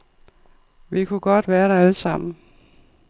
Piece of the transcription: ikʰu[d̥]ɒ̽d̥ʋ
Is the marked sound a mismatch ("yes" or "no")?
yes